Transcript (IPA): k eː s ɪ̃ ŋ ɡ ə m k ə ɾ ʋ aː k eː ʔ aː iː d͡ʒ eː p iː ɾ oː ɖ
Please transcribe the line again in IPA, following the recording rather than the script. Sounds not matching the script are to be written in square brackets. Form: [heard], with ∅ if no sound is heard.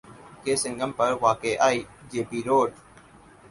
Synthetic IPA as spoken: k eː s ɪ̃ ŋ ɡ ə m [p] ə ɾ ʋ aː k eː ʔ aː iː d͡ʒ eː p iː ɾ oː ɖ